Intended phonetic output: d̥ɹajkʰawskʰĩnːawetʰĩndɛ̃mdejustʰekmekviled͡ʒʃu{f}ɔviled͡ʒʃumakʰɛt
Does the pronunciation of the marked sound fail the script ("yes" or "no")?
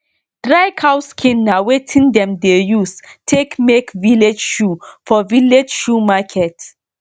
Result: no